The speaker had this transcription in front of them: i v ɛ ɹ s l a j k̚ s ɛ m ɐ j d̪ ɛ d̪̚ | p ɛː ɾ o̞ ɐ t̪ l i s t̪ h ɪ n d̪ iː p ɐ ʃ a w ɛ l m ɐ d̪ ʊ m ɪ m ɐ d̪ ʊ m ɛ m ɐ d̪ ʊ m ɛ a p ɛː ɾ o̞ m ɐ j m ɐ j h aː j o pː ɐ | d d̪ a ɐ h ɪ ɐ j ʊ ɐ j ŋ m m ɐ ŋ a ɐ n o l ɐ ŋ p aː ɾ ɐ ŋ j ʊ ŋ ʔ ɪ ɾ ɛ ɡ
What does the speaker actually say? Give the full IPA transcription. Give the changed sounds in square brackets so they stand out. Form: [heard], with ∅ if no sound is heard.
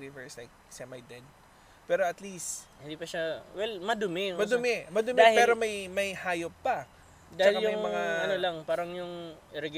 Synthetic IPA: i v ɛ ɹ s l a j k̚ s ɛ m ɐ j d̪ ɛ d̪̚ | p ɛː ɾ o̞ ɐ t̪ l i s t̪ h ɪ n d̪ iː p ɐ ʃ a w ɛ l m ɐ d̪ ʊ m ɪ m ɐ d̪ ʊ m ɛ m ɐ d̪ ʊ m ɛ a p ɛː ɾ o̞ m ɐ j m ɐ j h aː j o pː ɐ | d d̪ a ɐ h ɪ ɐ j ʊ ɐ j ŋ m m ɐ ŋ a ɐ n o l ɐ ŋ p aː ɾ ɐ ŋ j ʊ ŋ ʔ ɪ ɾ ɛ ɡ